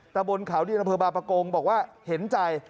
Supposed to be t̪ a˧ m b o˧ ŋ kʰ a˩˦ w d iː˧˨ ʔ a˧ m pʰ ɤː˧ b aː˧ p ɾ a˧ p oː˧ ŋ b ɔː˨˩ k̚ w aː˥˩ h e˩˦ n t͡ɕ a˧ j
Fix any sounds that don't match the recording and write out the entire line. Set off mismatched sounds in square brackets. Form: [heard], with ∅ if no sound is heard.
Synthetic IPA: t̪ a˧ m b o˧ [n] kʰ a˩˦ w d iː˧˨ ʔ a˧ m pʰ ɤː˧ b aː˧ p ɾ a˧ [k] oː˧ ŋ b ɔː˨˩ k̚ w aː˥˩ h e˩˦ n t͡ɕ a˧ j